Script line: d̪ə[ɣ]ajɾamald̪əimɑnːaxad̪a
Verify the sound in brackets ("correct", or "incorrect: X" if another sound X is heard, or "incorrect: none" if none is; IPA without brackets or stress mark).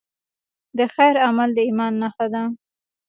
incorrect: x